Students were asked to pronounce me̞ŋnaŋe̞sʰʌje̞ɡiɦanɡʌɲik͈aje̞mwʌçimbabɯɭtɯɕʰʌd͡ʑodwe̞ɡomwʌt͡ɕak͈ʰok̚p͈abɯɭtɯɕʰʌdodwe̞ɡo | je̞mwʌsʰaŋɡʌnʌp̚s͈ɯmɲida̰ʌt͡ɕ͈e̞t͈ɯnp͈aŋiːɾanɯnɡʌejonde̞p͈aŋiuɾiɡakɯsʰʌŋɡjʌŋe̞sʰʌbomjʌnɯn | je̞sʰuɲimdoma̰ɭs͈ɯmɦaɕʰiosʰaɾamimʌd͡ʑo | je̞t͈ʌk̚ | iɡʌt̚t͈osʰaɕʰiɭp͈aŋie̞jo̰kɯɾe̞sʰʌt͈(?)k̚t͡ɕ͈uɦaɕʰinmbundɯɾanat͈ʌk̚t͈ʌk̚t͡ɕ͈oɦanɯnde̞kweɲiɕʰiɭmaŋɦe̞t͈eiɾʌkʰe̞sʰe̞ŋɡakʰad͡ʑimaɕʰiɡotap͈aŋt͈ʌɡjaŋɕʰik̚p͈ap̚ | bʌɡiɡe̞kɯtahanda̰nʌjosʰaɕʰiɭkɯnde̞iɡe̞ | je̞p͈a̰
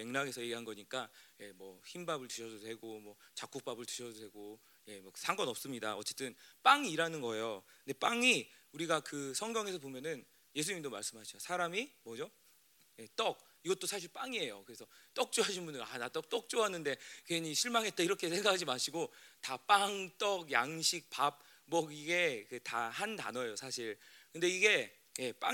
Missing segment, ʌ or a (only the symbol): ʌ